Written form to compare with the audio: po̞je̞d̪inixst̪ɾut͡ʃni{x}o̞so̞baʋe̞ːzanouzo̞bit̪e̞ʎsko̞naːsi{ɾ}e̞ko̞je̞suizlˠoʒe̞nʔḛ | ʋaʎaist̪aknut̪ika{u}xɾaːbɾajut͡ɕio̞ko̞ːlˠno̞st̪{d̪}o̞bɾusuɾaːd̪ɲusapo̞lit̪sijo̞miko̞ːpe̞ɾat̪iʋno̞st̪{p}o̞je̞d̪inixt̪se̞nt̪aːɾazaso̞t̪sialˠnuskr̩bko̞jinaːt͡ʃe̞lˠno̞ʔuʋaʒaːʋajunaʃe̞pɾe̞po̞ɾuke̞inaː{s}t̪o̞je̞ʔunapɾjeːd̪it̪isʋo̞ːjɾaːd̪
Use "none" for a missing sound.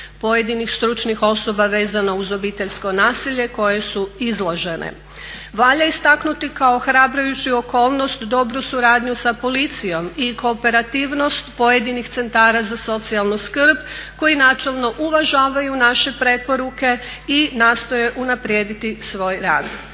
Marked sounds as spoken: x, ʎ, o, d̪, p, s

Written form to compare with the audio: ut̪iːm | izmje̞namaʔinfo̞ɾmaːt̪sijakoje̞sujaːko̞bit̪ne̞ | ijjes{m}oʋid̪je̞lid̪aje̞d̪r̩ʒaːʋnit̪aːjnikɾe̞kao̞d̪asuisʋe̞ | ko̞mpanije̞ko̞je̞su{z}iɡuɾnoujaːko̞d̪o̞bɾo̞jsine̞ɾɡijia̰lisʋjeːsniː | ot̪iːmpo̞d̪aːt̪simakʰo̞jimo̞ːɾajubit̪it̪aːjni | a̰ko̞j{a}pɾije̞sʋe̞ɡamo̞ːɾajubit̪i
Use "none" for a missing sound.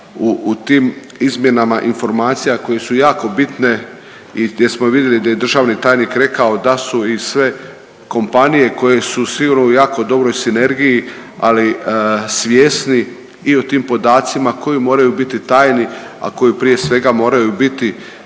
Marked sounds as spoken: m, s, i

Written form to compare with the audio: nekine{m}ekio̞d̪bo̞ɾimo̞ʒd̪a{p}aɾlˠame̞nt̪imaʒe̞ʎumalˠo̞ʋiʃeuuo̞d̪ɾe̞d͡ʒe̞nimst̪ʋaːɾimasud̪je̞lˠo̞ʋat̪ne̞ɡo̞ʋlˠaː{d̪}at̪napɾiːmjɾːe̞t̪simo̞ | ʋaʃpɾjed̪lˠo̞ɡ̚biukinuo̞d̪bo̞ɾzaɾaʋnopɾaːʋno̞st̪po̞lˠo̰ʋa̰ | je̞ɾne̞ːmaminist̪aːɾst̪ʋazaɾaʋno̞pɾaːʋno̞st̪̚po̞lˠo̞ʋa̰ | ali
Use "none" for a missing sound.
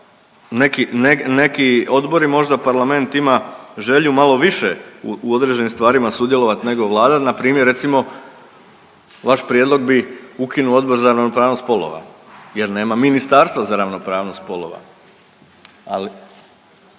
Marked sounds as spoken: n, p, d̪

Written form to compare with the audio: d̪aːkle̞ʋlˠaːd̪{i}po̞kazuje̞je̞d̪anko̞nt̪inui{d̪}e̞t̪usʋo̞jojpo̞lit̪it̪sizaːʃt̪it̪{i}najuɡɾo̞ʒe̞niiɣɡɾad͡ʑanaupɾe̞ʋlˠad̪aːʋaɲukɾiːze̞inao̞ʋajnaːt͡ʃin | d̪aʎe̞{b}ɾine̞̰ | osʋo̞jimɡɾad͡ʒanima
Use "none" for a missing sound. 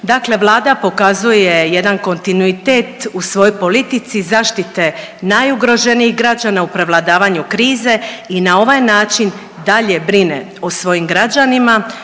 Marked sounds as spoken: a, t̪, e, b

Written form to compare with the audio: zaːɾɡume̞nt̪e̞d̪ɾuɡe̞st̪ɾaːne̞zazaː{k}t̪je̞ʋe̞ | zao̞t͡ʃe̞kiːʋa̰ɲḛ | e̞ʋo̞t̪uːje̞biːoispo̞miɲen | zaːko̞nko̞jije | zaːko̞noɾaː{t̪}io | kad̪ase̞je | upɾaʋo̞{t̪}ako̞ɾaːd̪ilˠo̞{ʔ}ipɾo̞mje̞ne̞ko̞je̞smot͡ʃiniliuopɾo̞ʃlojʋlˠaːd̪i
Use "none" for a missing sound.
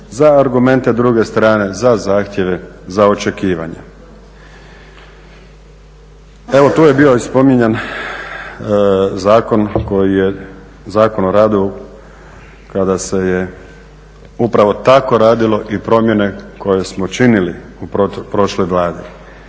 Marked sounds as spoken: x, d̪, t̪, ʔ

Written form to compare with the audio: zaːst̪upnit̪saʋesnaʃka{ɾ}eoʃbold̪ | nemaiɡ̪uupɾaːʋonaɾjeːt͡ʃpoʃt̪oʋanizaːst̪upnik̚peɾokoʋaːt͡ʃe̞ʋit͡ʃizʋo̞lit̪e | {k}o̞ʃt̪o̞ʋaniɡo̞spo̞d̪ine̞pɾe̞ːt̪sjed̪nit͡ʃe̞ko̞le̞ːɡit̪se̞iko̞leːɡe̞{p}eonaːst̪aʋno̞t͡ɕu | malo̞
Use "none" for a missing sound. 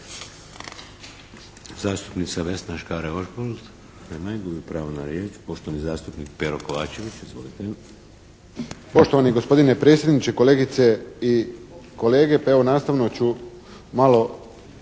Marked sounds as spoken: ɾ, p, p

